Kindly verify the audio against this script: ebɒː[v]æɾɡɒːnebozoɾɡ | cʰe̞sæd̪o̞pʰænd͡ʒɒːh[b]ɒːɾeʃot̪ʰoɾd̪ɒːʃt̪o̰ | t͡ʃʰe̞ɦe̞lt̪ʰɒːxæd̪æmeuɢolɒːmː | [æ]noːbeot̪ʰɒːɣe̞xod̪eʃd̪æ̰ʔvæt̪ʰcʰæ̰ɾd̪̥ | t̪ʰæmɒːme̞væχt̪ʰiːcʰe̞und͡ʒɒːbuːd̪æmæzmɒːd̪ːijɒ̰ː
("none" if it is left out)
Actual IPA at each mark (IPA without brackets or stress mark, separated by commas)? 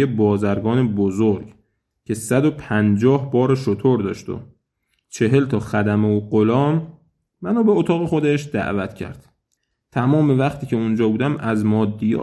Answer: z, b, æ